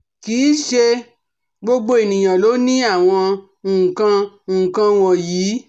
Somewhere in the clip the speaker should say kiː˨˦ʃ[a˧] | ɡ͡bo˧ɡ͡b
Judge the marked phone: incorrect: e˧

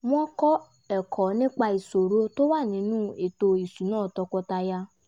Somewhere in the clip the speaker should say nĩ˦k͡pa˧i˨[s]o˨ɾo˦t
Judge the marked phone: correct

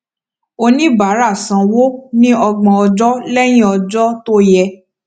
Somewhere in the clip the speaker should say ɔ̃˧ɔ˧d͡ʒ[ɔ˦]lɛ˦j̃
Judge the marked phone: correct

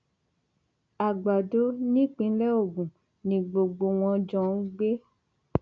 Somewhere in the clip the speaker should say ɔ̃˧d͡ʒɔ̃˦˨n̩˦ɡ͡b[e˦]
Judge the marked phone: correct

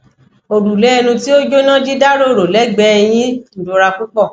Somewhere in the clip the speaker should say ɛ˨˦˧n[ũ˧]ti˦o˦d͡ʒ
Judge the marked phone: correct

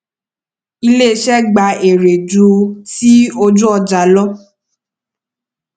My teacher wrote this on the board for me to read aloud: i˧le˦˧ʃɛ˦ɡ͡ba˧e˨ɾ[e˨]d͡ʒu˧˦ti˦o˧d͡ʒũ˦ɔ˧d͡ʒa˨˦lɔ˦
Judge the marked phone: correct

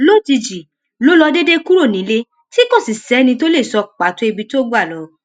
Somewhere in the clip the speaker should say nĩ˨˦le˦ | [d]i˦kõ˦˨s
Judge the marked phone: incorrect: t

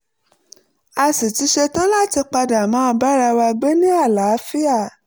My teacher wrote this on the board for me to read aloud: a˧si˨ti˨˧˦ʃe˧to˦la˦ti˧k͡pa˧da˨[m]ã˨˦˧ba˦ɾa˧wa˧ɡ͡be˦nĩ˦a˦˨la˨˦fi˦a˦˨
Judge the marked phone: correct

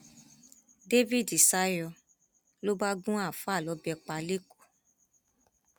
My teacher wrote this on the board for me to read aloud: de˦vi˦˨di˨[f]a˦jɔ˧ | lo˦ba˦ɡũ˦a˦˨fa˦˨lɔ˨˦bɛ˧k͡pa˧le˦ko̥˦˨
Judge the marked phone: incorrect: s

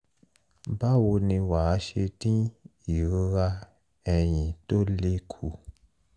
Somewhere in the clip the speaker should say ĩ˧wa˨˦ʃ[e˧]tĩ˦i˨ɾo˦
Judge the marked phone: correct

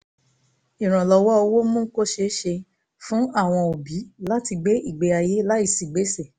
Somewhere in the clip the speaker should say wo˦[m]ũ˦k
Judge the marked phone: correct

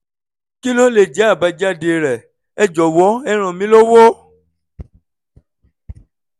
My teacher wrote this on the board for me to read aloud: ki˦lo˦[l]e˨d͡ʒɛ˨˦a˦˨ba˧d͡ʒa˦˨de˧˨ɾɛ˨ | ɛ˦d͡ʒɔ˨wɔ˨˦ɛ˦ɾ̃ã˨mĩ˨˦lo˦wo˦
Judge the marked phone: correct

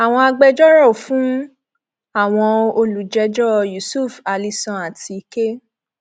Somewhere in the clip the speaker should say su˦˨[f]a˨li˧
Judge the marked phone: correct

